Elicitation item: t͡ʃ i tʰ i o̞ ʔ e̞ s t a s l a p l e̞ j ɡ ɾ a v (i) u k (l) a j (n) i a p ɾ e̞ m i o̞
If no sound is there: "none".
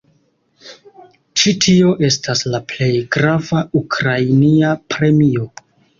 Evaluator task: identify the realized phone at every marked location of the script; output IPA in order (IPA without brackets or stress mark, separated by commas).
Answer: a, ɾ, n